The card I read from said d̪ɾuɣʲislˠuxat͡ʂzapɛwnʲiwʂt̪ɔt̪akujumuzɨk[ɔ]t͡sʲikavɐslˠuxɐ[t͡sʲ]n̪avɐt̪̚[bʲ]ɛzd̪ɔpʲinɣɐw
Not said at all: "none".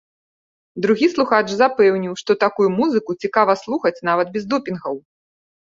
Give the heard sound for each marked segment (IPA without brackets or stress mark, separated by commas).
u, t͡sʲ, bʲ